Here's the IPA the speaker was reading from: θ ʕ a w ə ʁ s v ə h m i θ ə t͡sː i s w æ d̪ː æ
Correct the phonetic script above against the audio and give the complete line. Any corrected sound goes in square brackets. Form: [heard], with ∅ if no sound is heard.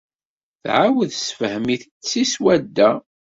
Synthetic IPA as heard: θ ʕ a w ə [ð] s [f] ə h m i θ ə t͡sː i s w æ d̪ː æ